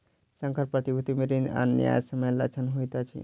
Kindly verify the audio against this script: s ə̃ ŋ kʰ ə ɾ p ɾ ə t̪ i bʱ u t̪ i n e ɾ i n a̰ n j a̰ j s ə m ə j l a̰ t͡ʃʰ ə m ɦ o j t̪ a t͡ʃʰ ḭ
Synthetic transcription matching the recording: s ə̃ ŋ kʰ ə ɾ p ɾ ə t̪ i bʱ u t̪ i m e ɾ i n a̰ n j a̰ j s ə m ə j l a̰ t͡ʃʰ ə n ɦ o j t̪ a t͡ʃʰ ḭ